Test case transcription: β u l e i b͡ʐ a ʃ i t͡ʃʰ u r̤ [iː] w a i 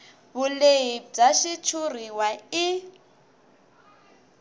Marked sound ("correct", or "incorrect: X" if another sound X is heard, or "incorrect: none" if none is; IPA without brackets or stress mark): incorrect: i